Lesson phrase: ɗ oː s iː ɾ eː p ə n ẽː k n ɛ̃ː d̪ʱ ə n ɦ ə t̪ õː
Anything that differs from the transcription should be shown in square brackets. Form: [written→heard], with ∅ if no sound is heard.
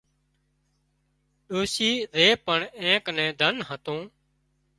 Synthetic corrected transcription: ɗ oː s iː ɾ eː p ə [n→ɳ] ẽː k n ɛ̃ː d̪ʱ ə n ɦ ə t̪ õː